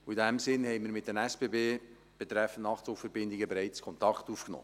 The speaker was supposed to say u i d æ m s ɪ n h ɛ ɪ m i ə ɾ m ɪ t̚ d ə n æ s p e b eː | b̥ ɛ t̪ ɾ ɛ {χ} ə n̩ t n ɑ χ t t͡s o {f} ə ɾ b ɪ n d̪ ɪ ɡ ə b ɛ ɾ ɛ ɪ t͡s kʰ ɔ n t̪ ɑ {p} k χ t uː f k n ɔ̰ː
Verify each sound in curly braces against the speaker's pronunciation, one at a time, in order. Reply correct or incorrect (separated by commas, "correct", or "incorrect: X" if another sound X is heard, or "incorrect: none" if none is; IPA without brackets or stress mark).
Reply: incorrect: f, correct, incorrect: none